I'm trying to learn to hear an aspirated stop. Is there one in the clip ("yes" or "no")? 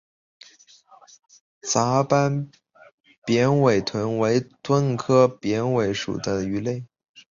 yes